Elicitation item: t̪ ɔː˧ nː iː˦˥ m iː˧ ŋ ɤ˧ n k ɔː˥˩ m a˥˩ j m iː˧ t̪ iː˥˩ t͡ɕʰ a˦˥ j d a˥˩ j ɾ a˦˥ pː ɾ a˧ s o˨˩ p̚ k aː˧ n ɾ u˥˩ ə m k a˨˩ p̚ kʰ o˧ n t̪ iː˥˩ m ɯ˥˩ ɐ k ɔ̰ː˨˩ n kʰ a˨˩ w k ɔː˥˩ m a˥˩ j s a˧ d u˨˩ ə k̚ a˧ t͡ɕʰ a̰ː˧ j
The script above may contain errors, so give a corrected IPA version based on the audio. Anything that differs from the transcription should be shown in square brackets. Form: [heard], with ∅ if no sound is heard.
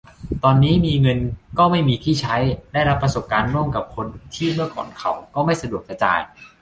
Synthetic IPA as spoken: t̪ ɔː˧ nː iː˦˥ m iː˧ ŋ ɤ˧ n k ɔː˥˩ m a˥˩ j m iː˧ [t̪ʰ] iː˥˩ t͡ɕʰ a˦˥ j d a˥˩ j ɾ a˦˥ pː ɾ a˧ s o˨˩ p̚ k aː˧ n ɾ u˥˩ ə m k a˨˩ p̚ kʰ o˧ n [t̪ʰ] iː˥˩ m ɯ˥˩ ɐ k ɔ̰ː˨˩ n kʰ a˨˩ w k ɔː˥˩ m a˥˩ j s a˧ d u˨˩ ə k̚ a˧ [t͡ɕ] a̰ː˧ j